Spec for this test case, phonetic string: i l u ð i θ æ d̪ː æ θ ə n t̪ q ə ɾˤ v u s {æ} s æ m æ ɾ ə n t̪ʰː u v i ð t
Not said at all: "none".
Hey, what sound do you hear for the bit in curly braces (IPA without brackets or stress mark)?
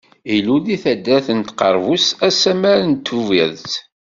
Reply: æ